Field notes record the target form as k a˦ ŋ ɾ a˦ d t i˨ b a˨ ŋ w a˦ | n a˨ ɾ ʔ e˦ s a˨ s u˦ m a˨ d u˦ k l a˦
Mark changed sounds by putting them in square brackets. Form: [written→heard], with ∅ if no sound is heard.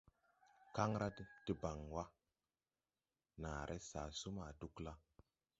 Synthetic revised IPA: k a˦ ŋ ɾ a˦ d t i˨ b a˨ ŋ w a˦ | n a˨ ɾ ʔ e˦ s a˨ s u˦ m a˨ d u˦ k l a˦